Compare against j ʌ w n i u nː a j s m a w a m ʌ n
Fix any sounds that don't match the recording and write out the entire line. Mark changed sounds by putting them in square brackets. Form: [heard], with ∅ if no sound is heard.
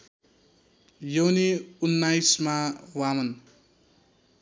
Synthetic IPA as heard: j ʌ w n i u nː a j s m a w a m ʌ n